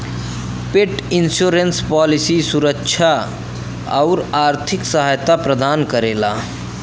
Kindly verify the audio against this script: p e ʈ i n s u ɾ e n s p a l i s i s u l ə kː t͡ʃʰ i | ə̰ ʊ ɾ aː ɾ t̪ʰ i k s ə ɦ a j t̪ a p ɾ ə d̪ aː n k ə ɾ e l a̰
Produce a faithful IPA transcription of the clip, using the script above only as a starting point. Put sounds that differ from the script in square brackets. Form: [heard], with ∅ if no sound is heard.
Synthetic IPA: p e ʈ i n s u ɾ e n s p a l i s i s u [ɾ] ə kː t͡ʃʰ [a] | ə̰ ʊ ɾ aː ɾ t̪ʰ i k s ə ɦ a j t̪ a p ɾ ə d̪ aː n k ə ɾ e l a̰